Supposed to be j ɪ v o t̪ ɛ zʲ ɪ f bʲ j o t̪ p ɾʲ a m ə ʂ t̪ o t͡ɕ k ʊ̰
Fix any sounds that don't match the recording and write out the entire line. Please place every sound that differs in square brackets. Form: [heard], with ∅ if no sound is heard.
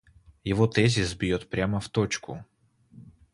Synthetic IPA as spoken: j ɪ v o t̪ ɛ zʲ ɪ [s] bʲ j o t̪ p ɾʲ a m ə [f] t̪ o t͡ɕ k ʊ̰